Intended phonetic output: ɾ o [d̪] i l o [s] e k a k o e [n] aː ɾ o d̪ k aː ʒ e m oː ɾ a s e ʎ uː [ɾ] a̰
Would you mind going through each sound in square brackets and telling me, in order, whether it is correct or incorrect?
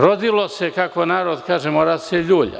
correct, correct, correct, incorrect: ʎ

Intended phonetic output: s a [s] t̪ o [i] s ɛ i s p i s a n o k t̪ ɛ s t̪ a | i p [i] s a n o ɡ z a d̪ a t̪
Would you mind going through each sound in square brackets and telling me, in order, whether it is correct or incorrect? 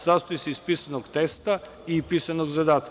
correct, correct, correct

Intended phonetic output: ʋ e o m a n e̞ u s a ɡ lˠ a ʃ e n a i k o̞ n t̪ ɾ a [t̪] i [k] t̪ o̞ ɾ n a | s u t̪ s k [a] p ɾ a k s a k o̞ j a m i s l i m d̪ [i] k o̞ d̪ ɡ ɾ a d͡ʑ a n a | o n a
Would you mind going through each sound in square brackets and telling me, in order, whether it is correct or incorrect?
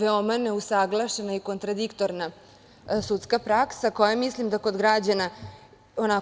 incorrect: d̪, correct, correct, incorrect: a

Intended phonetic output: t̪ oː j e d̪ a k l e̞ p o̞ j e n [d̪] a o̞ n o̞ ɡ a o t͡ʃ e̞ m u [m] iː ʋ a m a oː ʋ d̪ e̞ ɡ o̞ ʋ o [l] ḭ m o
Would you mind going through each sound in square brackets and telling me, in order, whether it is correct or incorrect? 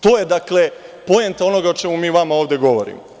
incorrect: t̪, correct, incorrect: ɾ

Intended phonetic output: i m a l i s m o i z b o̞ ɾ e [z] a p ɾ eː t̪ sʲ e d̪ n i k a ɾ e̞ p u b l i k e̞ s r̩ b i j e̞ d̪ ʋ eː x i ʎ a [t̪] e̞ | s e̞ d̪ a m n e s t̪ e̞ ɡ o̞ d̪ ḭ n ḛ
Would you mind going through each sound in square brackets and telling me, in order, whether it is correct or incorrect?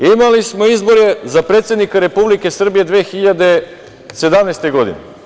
correct, incorrect: d̪

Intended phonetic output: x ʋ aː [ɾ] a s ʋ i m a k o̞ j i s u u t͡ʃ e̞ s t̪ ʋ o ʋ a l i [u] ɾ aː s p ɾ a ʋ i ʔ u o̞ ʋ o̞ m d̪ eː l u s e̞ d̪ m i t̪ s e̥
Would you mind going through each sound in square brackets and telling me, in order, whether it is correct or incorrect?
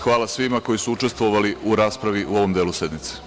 incorrect: l, correct

